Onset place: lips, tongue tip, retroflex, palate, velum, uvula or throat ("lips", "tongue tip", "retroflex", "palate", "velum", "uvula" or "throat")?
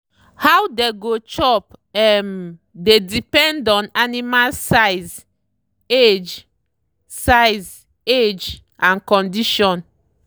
throat